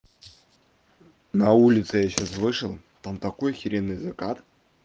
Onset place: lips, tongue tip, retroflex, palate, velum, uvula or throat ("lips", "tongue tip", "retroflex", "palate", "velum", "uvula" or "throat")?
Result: tongue tip